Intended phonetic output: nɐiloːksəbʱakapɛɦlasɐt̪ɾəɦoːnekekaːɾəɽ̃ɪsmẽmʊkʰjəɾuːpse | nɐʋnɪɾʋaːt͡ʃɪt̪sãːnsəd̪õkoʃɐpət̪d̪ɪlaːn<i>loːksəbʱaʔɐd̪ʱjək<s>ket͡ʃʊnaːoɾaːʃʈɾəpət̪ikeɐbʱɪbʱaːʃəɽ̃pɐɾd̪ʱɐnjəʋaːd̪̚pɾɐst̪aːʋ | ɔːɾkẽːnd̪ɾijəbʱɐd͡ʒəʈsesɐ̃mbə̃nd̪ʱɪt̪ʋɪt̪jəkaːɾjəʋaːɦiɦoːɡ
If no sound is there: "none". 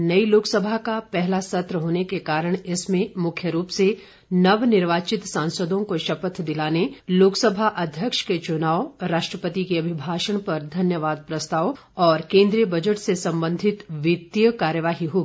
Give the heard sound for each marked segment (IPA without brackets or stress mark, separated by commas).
e, ʃ